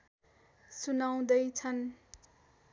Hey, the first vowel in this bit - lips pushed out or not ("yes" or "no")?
yes